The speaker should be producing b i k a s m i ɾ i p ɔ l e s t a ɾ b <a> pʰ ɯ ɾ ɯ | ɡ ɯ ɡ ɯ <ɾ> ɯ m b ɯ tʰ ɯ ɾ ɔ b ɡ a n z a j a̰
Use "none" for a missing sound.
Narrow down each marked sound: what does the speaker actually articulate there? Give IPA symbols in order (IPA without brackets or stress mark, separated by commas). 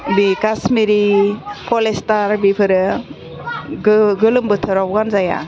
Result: i, l